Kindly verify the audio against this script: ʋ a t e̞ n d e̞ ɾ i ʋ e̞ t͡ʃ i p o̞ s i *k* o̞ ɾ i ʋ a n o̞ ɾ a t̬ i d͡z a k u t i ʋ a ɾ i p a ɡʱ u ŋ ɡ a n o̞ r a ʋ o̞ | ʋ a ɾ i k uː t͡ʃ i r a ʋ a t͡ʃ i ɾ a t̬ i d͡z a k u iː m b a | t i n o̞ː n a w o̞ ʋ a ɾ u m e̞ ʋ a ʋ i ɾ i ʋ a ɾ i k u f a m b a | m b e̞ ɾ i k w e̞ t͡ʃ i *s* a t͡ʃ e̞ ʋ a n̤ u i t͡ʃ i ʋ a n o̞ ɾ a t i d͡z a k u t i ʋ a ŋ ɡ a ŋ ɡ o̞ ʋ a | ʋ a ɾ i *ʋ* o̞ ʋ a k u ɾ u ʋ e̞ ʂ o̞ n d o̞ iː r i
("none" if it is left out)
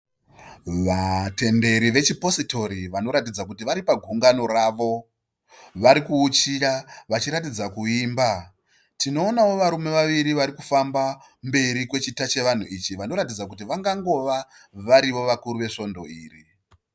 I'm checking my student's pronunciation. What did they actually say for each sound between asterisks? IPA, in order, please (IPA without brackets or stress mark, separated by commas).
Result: t, t, ʋ